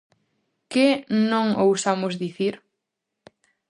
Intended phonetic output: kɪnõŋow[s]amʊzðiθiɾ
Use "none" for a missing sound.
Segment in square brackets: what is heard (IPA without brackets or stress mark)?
s